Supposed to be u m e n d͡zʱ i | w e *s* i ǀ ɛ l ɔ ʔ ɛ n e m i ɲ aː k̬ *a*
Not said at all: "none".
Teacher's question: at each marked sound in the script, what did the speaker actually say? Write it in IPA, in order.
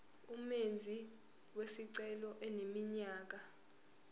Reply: s, a

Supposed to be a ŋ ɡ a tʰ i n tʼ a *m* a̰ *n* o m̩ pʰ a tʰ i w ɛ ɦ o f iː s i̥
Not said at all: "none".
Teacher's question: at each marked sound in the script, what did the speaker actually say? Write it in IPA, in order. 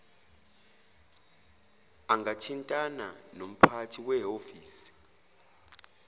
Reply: n, n

